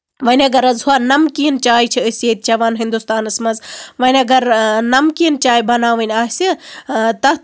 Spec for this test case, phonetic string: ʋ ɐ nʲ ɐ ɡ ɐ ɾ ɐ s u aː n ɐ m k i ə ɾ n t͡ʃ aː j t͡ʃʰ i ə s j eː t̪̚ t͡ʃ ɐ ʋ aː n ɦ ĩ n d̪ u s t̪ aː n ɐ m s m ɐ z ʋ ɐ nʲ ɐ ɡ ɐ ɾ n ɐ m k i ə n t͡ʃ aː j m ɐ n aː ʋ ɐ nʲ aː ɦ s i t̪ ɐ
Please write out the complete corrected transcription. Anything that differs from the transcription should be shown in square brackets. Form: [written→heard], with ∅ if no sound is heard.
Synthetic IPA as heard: ʋ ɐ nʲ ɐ ɡ ɐ ɾ ɐ [s→z] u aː n ɐ m k i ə [ɾ→∅] n t͡ʃ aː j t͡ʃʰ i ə s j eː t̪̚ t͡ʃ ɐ ʋ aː n ɦ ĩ n d̪ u s t̪ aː n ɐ [m→∅] s m ɐ z ʋ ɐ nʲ ɐ ɡ ɐ ɾ n ɐ m k i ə n t͡ʃ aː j [m→b] ɐ n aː ʋ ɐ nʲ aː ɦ s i t̪ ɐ